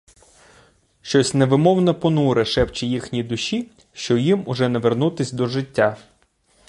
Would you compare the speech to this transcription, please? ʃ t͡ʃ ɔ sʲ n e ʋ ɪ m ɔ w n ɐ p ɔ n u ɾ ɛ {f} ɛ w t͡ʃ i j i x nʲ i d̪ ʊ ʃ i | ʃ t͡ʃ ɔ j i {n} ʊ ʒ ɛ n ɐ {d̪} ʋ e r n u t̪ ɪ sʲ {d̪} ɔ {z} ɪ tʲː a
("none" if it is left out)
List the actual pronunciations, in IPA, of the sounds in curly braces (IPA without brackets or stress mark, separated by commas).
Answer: ʃ, m, none, d̪, ʒ